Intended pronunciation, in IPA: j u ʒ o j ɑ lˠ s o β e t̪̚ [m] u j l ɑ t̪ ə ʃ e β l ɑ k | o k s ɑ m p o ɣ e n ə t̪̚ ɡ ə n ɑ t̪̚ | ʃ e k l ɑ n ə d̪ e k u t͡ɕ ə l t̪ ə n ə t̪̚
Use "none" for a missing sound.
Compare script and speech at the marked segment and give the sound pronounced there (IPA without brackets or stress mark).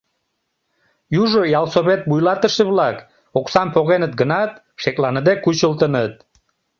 b